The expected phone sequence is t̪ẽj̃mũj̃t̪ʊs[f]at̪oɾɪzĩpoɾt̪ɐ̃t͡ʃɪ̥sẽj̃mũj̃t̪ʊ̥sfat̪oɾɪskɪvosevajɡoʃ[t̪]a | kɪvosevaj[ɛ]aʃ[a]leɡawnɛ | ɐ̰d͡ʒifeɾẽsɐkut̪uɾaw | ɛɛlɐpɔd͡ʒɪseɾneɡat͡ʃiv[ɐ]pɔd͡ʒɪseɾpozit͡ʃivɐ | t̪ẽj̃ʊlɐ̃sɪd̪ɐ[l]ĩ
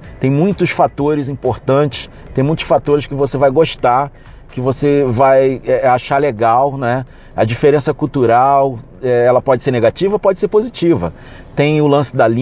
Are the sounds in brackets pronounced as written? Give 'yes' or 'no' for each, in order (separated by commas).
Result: yes, yes, yes, yes, yes, yes